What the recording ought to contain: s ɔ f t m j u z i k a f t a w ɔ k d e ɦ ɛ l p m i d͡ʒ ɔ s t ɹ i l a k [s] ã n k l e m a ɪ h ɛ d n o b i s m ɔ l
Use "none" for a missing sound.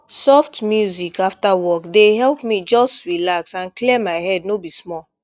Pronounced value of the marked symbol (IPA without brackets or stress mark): s